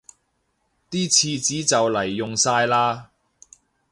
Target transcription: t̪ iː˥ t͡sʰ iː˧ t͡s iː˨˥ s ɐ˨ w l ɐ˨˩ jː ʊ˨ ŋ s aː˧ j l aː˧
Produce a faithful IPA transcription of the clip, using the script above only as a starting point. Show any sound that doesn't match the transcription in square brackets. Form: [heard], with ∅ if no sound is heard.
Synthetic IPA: t̪ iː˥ t͡sʰ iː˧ t͡s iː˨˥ [t͡s] ɐ˨ w l ɐ˨˩ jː ʊ˨ ŋ s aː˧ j l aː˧